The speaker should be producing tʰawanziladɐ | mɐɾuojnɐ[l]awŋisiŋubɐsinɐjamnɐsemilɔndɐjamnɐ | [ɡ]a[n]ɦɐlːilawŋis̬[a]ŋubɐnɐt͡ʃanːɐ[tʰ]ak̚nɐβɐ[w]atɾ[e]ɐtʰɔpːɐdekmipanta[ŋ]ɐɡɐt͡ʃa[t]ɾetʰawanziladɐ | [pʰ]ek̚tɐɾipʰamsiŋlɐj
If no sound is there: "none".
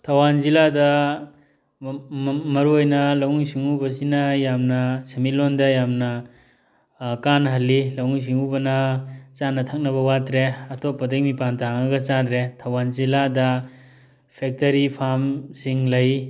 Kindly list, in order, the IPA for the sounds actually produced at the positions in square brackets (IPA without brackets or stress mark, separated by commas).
l, k, n, i, tʰ, w, e, ŋ, d, pʰ